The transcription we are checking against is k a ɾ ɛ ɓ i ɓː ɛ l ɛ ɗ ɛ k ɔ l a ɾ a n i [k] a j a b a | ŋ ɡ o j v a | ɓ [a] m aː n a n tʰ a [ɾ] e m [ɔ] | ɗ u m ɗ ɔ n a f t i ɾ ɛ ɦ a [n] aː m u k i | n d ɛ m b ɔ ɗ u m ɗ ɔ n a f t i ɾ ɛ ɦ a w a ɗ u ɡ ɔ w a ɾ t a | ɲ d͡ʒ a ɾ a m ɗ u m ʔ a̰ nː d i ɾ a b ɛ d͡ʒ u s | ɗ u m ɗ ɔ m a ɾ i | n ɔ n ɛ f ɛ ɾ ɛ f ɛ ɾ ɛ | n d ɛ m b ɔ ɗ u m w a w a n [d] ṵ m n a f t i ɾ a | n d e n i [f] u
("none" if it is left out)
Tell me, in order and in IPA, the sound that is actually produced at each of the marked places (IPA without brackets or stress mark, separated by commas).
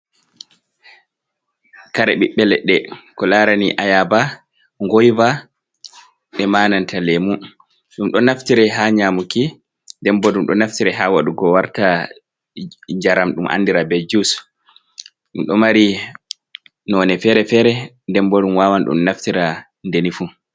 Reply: ʔ, ɛ, l, u, ɲ, ɗ, f